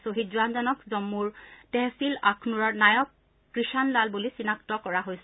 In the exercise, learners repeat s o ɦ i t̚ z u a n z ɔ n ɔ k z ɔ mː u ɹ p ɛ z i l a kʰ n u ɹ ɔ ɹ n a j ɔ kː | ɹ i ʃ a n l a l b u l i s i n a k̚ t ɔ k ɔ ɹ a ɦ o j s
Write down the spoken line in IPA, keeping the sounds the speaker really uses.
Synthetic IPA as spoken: s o ɦ i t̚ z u a n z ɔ n ɔ k z ɔ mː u ɹ t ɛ s i l a kʰ n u ɹ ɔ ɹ n a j ɔ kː | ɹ i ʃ a n l a l b u l i s i n a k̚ t ɔ k ɔ ɹ a ɦ o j s